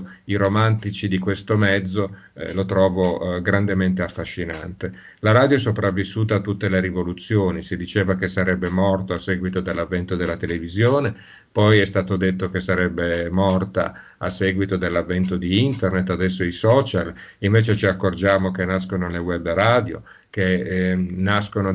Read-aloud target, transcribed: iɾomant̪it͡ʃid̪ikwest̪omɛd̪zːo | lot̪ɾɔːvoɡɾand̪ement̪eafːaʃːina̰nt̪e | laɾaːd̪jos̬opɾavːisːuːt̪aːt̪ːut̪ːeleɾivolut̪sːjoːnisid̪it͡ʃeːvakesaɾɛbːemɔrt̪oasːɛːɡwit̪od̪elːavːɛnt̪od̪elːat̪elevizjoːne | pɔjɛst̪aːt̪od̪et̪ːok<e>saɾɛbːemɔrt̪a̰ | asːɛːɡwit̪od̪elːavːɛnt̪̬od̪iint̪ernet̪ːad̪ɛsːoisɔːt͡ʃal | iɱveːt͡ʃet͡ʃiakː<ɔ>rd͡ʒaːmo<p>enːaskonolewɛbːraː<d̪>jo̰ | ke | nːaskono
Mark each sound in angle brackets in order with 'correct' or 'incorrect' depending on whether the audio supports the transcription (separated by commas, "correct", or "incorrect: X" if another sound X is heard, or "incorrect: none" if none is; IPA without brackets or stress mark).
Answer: correct, incorrect: o, incorrect: k, correct